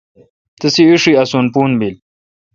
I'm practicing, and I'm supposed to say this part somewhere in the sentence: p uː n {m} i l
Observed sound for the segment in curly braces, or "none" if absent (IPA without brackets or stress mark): b